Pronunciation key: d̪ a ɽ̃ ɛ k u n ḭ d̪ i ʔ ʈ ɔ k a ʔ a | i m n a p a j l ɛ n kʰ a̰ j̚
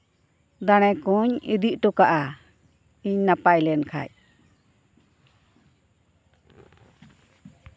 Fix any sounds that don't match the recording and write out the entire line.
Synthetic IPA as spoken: d̪ a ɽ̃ ɛ k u ɲ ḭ d̪ i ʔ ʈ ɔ k a ʔ a | i ɲ n a p a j l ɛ n kʰ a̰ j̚